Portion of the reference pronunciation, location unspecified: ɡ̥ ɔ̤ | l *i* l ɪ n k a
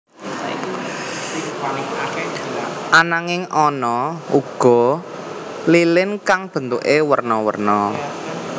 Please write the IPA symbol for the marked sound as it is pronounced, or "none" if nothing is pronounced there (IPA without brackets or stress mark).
i